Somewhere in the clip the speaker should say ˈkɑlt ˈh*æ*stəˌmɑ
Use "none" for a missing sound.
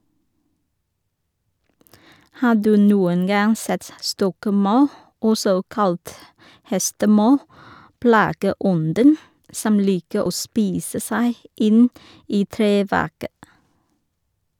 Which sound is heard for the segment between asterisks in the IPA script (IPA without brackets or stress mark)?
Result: ɛ